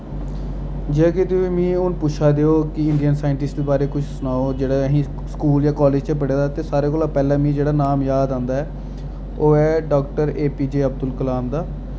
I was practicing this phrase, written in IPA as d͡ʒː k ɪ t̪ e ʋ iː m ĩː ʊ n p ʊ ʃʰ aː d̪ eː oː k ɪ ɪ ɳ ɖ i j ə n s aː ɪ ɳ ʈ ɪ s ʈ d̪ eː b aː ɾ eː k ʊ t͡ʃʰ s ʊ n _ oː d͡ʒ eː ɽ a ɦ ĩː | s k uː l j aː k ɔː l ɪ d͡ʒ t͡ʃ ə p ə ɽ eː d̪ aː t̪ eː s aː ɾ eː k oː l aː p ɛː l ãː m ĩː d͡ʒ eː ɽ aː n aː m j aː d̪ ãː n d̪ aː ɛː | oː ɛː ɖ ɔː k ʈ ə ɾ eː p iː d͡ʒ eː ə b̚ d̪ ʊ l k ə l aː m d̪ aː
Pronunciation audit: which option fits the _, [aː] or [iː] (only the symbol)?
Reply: aː